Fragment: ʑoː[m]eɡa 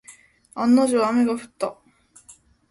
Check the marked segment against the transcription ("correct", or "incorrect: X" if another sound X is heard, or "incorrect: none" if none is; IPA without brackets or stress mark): correct